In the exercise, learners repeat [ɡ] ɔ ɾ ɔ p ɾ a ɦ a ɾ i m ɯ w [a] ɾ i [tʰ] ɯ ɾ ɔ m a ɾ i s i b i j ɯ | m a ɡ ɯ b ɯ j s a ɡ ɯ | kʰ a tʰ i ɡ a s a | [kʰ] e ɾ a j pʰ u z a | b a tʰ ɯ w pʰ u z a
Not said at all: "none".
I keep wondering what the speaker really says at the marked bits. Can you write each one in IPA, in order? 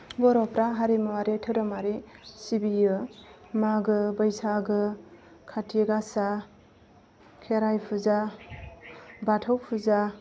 ɡ, a, tʰ, kʰ

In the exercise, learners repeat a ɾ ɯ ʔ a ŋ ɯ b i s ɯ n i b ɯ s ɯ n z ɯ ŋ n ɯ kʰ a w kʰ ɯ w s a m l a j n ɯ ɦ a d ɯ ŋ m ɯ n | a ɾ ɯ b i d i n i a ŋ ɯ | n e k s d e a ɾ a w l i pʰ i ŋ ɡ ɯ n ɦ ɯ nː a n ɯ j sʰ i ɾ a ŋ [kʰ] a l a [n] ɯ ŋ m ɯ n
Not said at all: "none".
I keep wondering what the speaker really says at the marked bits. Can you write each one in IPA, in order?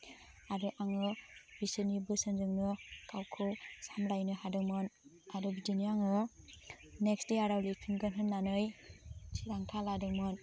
tʰ, d

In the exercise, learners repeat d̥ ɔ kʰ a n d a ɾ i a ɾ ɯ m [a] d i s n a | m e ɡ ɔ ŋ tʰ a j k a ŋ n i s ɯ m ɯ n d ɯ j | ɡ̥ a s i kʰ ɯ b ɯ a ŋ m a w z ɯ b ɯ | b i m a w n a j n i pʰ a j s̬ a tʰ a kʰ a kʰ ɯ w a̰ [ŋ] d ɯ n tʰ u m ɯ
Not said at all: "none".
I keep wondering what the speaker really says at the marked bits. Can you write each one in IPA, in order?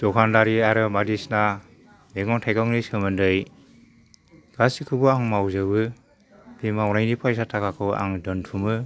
a, ŋ

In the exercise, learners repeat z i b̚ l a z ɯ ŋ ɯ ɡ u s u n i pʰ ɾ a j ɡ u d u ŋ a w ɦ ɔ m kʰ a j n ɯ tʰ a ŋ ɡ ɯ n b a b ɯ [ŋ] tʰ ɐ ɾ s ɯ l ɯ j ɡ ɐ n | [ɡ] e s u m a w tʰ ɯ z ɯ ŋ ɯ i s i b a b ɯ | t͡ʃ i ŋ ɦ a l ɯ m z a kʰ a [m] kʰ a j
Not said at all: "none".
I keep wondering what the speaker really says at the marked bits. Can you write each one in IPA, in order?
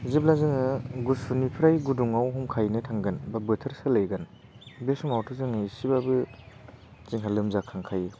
none, b, ŋ

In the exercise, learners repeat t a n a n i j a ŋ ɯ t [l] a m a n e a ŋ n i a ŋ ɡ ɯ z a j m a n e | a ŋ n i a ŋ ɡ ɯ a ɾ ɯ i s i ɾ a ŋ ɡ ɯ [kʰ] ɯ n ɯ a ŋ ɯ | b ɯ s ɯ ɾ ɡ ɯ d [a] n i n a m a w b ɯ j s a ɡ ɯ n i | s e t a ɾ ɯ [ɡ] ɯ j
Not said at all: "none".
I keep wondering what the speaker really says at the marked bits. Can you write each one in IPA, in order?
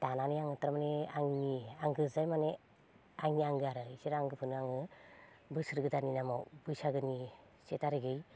ɾ, pʰ, a, ɡ

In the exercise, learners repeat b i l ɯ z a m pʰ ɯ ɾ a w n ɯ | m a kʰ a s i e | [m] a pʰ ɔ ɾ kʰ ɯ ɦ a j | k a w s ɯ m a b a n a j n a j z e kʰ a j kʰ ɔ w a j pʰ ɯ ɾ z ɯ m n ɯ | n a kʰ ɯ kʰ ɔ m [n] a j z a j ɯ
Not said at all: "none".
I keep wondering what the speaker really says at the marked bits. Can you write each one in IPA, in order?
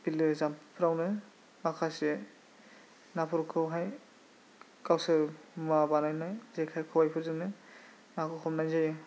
n, n

